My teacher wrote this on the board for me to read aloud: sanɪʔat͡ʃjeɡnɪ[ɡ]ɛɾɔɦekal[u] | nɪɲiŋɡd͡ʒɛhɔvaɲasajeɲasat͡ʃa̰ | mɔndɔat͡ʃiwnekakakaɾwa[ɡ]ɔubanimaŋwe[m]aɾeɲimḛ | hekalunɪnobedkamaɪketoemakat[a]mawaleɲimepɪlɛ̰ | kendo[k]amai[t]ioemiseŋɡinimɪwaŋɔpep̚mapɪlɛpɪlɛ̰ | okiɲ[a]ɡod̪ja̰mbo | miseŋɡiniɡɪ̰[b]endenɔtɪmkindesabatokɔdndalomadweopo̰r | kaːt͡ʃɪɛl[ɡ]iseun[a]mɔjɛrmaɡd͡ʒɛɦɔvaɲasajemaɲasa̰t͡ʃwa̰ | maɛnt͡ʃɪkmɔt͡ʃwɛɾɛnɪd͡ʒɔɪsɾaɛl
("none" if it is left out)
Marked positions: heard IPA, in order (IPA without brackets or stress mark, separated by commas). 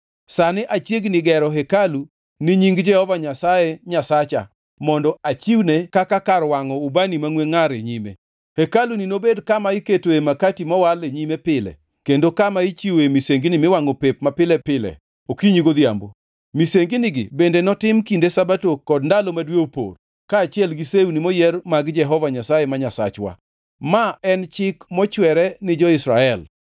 ɡ, u, ŋ, ŋ, i, k, t͡ʃ, i, b, ɡ, i